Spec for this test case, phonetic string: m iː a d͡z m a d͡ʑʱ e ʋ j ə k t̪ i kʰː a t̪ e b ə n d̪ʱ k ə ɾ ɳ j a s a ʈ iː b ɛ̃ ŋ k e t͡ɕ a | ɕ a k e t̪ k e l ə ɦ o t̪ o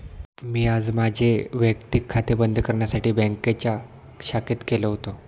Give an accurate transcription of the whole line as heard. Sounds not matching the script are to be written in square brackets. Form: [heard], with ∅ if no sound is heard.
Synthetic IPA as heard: m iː a d͡z m a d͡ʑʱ e ʋ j ə k t̪ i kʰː a t̪ e b ə n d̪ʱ k ə ɾ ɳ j a s a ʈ iː b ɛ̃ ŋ k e t͡ɕ a | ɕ a k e t̪ k e l ə ɦ o t̪ o